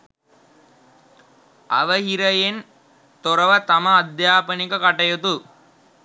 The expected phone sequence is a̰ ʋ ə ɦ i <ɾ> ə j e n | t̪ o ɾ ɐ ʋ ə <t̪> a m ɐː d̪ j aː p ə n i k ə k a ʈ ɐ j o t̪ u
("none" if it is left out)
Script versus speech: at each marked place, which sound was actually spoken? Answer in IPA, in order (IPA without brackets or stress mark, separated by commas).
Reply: ɾ, t̪